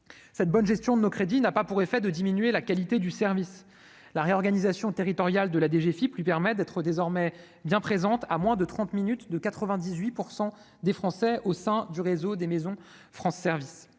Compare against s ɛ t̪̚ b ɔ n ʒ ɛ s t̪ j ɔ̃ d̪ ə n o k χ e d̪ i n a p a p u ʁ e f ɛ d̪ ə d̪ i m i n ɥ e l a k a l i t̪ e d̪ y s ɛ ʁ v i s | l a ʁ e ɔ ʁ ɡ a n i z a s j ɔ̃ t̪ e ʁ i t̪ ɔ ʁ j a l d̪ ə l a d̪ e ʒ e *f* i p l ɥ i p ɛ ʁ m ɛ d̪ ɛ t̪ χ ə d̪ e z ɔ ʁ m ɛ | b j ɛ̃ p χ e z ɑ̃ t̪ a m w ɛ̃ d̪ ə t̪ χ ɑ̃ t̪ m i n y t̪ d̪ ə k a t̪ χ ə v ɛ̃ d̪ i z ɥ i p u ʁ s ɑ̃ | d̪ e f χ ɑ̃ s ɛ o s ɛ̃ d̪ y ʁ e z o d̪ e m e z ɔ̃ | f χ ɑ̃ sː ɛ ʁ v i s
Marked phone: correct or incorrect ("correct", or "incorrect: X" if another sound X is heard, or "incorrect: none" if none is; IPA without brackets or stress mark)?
correct